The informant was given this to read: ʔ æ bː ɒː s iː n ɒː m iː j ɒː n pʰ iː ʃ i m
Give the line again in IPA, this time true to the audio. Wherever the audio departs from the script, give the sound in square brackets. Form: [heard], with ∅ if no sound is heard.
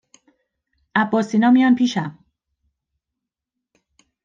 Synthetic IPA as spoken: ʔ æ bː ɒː s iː n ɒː m [i] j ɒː n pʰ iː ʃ [æ] m